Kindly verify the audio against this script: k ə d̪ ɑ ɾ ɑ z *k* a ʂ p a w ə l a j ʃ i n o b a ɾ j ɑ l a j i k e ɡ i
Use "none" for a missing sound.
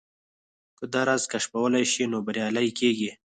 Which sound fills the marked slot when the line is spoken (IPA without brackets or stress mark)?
k